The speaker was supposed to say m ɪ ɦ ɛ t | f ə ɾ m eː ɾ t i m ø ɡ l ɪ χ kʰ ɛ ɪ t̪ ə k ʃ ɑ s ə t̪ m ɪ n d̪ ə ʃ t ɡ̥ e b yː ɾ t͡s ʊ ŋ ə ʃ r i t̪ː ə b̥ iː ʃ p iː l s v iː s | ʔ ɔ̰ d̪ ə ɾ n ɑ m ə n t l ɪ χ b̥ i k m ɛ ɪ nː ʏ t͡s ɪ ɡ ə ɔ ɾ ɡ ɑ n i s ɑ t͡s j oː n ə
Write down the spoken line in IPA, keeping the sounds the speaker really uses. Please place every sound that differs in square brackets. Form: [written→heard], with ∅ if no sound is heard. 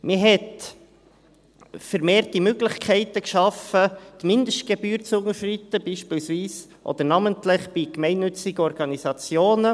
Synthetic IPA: m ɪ ɦ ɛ t | f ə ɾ m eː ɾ t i m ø ɡ l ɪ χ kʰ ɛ ɪ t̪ ə k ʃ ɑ [s→f] ə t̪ m ɪ n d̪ ə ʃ t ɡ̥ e b yː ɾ t͡s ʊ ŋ ə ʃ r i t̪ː ə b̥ iː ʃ p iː l s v iː s | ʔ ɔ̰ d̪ ə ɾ n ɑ m ə n t l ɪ χ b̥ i k m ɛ ɪ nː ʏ t͡s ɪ ɡ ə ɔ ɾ ɡ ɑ n i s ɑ t͡s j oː n ə